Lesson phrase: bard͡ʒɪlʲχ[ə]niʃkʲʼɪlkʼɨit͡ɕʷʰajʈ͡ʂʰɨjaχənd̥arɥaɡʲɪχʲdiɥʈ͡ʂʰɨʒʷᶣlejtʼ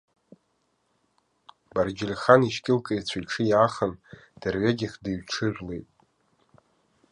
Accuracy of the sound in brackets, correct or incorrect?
incorrect